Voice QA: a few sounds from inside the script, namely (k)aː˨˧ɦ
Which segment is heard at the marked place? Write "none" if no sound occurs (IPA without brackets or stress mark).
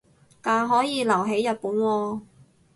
k